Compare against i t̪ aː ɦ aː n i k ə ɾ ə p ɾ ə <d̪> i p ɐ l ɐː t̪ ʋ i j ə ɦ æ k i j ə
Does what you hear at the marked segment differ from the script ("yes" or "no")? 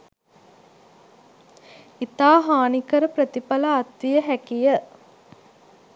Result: yes